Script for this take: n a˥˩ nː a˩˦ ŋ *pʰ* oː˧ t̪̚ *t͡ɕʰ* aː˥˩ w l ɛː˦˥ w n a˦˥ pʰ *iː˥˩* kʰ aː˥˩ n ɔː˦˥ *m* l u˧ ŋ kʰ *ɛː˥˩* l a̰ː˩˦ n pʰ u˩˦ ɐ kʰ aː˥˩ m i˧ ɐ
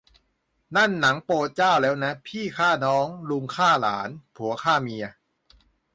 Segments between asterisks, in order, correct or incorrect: incorrect, incorrect, correct, incorrect, incorrect

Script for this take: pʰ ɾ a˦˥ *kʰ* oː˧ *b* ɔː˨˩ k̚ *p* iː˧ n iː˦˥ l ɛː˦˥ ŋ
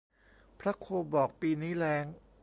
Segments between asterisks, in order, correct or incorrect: correct, correct, correct

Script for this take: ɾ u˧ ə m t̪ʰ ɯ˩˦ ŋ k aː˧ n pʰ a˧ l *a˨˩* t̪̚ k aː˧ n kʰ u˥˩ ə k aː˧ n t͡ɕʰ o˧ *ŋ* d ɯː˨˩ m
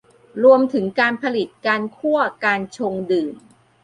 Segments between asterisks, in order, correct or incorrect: incorrect, correct

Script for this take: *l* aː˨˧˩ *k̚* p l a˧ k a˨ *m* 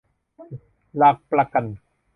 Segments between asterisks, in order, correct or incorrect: correct, correct, incorrect

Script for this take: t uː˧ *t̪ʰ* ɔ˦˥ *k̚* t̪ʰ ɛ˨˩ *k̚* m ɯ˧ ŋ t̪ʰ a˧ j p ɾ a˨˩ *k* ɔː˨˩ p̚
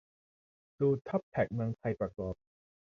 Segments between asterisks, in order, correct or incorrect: correct, incorrect, correct, correct

